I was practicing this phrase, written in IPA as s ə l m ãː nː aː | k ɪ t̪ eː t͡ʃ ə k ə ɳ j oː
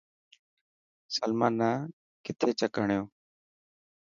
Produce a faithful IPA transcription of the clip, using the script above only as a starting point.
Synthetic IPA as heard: s ə l m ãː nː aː | k ɪ t̪ʰ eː t͡ʃ ə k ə ɳ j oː